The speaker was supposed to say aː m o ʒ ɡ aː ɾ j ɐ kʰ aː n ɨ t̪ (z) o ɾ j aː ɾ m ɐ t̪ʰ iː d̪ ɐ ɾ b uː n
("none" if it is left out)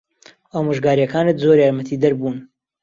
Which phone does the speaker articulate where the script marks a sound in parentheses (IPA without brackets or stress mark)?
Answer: z